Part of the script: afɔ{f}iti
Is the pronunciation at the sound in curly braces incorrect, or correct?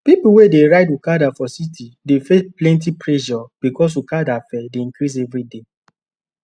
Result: incorrect